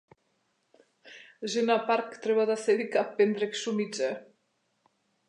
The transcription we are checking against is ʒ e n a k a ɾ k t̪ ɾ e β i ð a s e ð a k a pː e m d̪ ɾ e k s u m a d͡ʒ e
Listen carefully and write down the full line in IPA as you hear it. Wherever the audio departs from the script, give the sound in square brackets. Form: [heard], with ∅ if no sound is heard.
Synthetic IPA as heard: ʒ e n a [p] a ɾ k t̪ ɾ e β [a] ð a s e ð [i] k a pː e [n] d̪ ɾ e k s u m [i] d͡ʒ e